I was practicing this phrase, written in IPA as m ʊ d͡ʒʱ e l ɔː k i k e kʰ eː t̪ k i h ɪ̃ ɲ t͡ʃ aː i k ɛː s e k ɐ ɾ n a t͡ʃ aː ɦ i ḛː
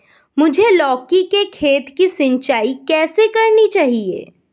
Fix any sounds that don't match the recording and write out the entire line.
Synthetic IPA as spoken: m ʊ d͡ʒʱ e l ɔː k i k e kʰ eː t̪ k i s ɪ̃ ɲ t͡ʃ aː i k ɛː s e k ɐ ɾ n i t͡ʃ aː ɦ i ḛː